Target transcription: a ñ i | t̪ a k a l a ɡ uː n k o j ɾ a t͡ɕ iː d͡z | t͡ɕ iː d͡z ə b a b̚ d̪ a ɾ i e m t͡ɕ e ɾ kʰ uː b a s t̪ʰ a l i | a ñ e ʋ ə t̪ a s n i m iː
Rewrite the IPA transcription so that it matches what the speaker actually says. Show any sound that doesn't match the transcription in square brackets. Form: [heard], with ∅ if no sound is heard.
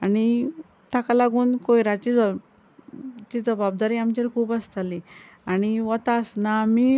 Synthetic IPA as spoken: a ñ i | t̪ a k a l a ɡ uː n k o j ɾ a t͡ɕ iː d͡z | t͡ɕ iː d͡z ə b a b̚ d̪ a ɾ i [a] m t͡ɕ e ɾ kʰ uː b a s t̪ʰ a l i | a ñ [i] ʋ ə t̪ a s n [a] m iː